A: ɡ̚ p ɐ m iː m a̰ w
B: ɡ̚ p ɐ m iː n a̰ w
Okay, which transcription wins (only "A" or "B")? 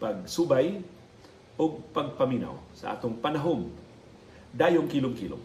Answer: B